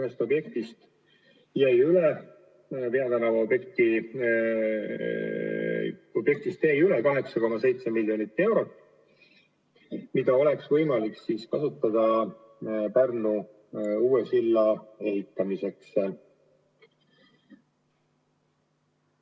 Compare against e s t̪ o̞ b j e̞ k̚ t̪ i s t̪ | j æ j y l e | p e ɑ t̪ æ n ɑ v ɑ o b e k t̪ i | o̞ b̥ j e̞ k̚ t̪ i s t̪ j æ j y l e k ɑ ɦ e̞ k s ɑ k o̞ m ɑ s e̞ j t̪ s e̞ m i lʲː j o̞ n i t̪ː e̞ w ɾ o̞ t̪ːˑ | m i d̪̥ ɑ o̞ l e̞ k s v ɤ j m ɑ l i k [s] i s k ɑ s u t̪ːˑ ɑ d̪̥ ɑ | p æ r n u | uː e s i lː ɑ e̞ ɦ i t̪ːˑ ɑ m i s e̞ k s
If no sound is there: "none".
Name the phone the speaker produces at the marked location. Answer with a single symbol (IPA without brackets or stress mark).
s